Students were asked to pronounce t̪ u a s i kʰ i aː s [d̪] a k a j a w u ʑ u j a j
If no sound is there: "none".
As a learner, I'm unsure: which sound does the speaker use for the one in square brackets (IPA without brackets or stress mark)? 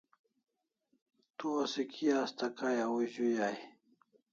t̪